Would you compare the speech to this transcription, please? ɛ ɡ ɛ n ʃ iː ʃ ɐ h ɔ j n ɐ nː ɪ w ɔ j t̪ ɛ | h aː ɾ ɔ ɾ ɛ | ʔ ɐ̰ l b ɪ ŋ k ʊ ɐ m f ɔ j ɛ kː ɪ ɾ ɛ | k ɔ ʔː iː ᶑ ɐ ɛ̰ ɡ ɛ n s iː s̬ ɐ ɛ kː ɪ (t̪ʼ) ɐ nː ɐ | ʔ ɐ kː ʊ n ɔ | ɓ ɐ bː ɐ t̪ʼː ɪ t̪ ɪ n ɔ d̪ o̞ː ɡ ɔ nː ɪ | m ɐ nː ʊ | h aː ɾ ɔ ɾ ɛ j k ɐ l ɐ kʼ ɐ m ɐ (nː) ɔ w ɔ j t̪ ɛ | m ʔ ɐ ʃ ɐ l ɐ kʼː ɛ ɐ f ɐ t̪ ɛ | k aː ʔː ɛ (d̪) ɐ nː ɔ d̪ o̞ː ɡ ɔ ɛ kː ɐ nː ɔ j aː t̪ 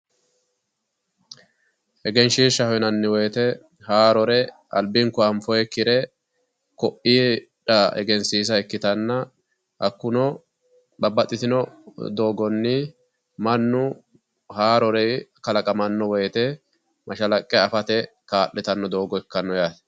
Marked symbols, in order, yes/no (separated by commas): no, yes, no